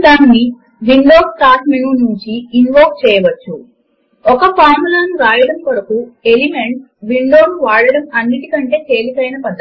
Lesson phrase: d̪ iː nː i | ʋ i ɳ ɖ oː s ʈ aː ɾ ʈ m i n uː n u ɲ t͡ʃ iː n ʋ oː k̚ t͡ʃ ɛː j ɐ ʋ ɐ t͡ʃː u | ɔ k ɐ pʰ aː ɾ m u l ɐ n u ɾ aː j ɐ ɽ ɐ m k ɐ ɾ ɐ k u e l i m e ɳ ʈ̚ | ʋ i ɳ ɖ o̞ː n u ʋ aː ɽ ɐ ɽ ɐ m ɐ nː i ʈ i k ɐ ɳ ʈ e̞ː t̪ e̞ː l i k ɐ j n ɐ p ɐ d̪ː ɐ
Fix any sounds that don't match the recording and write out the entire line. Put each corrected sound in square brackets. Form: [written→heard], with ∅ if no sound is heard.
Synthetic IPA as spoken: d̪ [iː→aː] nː i | ʋ i ɳ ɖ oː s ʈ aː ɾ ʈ m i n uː n u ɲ t͡ʃ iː n ʋ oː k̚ t͡ʃ ɛː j ɐ ʋ ɐ t͡ʃː u | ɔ k ɐ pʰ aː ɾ m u l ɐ n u ɾ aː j ɐ ɽ ɐ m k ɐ ɾ ɐ k u e l i m e ɳ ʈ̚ | ʋ i ɳ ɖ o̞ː n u ʋ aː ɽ ɐ ɽ ɐ m ɐ nː i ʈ i k ɐ ɳ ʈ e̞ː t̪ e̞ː l i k ɐ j n ɐ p ɐ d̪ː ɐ